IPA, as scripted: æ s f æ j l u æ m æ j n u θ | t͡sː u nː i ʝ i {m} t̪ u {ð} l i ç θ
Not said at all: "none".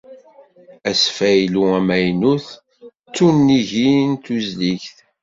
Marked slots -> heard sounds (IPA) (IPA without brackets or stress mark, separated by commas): n, z